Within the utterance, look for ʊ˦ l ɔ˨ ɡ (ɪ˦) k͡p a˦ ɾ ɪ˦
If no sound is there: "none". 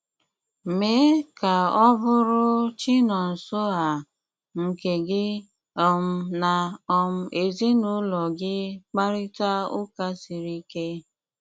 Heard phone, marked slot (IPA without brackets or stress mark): ɪ˦